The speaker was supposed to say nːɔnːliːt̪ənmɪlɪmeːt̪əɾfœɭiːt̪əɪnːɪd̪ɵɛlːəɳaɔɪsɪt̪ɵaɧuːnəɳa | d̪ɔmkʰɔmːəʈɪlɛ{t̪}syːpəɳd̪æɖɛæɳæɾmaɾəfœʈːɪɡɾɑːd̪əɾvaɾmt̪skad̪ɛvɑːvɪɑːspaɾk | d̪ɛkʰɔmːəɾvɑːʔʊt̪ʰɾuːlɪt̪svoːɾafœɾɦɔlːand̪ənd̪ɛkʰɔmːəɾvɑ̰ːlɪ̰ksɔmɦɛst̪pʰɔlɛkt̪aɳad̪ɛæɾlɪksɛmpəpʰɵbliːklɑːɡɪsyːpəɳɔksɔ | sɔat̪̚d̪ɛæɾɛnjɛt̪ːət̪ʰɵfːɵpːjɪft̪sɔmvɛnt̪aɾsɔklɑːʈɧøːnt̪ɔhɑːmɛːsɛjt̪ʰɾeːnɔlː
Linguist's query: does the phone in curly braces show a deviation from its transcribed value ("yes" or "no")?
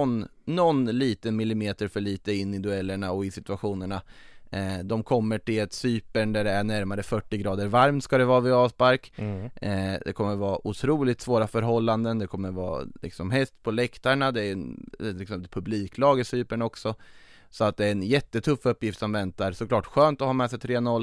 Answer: no